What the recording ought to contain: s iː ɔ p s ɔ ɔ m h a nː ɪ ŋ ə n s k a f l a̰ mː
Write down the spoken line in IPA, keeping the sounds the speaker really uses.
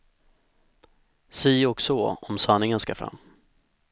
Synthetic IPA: s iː ɔ k s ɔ ɔ m s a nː ɪ ŋ ə n s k a f ɾ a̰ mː